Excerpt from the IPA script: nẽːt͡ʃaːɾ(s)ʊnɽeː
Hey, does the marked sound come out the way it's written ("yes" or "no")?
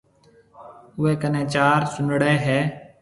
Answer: yes